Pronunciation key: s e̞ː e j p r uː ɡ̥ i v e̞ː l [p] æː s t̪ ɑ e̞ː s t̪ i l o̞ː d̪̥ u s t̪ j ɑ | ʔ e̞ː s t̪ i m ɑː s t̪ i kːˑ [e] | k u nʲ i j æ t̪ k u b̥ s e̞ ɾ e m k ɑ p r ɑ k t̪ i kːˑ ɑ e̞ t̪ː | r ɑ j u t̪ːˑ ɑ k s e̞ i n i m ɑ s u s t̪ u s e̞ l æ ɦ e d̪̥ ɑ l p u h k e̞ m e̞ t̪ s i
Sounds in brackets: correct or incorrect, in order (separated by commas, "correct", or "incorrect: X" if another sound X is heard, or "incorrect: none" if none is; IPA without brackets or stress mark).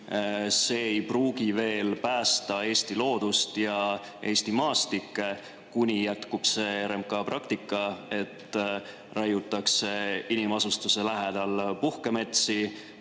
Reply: correct, correct